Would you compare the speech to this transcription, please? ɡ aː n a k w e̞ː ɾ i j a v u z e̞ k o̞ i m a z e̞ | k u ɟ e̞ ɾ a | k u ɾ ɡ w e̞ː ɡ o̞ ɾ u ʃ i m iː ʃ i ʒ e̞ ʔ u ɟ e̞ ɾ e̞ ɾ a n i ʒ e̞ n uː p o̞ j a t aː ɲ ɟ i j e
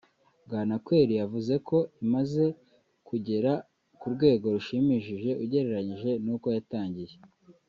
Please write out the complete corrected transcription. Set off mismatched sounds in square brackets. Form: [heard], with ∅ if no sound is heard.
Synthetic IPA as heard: ɡ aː n a k w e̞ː ɾ i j a v u z e̞ k o̞ i m a z e̞ | k u ɟ e̞ ɾ a | k u ɾ ɡ w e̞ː ɡ o̞ ɾ u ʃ i m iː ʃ i ʒ e̞ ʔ u ɟ e̞ ɾ e̞ ɾ a [ɲ] i ʒ e̞ n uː [k] o̞ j a t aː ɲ ɟ i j e